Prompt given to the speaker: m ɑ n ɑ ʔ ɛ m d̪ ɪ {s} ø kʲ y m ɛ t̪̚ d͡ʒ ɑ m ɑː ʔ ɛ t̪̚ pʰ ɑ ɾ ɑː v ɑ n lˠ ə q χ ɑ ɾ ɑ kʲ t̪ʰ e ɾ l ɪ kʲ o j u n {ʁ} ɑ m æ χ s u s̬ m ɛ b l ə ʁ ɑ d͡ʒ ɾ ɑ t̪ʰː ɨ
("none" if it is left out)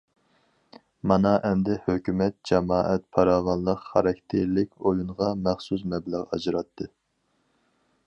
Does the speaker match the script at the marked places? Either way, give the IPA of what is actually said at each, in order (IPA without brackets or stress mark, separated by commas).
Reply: h, ʁ